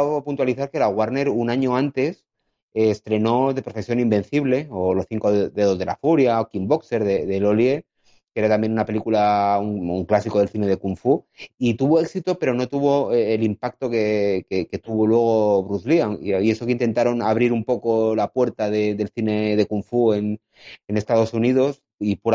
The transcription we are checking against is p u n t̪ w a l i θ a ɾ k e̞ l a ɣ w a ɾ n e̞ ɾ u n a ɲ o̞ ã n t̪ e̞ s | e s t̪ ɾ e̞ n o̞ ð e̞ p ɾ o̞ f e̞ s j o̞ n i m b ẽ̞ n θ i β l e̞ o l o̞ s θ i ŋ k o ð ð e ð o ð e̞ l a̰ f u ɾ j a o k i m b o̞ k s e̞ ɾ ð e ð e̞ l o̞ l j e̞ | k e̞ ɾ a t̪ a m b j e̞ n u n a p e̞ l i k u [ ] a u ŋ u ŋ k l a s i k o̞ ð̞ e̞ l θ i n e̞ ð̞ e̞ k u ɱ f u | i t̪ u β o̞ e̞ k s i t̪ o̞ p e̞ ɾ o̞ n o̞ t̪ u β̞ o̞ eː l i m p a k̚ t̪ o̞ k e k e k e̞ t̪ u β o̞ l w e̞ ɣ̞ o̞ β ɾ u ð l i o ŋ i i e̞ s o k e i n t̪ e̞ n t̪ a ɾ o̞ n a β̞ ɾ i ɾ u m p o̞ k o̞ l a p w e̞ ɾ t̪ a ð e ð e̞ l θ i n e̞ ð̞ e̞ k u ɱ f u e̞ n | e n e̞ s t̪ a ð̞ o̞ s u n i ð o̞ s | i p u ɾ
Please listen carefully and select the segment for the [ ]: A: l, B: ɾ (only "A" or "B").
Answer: A